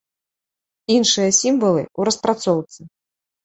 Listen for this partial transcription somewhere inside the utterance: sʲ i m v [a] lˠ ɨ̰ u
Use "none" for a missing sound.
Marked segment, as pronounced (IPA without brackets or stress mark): ɐ